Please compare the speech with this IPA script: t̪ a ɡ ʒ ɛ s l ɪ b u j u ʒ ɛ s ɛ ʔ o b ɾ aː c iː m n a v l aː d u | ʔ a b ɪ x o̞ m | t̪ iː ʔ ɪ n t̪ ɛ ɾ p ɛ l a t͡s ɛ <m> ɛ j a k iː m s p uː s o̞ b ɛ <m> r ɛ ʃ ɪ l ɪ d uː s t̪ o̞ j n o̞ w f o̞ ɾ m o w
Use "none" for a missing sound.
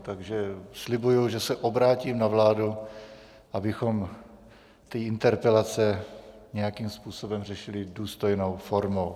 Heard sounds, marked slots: ɲ, m

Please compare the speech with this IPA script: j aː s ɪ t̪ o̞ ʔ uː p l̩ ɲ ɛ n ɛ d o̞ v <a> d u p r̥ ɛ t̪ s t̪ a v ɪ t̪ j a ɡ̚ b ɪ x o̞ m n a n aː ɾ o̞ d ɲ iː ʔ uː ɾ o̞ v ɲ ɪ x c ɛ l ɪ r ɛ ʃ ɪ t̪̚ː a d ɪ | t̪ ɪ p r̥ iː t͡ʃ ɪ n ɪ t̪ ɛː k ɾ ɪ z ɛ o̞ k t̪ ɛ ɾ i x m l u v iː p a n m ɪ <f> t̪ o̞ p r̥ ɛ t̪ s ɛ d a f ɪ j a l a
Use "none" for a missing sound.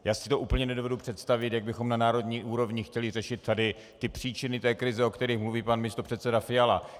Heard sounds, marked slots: ɛ, s

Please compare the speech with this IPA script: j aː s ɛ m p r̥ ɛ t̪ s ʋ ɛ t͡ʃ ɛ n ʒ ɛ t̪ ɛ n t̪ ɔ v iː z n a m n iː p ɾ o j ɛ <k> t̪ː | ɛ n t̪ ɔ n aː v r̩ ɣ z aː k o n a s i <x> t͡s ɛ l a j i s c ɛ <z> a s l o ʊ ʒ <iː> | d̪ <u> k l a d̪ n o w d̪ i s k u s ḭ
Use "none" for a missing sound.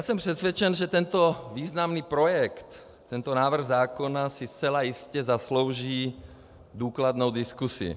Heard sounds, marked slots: k, s, z, iː, uː

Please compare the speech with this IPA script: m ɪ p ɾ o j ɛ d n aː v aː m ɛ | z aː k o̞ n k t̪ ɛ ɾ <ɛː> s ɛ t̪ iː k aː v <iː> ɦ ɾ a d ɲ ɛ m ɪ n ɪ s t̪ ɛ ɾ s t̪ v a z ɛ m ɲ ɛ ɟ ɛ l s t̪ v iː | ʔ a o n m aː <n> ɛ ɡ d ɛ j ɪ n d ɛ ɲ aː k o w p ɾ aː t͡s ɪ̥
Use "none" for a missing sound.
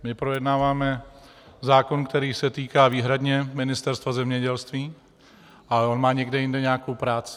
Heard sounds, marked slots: iː, iː, ɲ

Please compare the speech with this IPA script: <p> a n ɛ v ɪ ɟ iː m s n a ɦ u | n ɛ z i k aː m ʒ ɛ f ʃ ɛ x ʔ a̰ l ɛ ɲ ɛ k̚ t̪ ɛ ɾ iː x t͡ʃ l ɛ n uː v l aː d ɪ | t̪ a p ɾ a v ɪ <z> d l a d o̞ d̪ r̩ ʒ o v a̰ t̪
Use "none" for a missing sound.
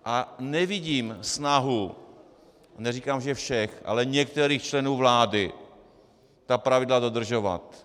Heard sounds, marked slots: ʔ, none

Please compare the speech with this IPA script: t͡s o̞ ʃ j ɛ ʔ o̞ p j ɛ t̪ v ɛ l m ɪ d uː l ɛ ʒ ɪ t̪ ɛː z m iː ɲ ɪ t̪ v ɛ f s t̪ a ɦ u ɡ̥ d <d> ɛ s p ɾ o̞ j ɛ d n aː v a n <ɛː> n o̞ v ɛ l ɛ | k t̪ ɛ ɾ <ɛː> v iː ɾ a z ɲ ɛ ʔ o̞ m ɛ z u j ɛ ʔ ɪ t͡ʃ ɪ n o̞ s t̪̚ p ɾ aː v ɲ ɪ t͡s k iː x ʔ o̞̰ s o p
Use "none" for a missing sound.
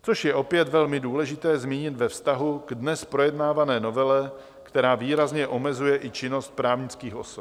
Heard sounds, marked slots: n, ɛː, aː

